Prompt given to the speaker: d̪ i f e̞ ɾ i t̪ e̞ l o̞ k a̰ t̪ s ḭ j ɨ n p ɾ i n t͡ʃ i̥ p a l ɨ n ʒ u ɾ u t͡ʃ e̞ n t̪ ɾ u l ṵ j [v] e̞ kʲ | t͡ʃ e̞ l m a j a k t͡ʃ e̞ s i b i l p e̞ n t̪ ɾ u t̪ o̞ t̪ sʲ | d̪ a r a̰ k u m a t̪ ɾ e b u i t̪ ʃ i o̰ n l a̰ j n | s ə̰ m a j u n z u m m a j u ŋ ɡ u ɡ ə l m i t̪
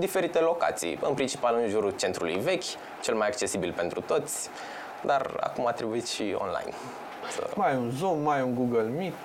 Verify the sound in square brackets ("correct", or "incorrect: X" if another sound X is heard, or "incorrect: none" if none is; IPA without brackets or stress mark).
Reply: correct